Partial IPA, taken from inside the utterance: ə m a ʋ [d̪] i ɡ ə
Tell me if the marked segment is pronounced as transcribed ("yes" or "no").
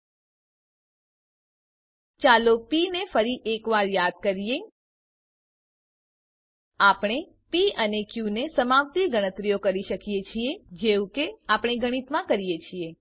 no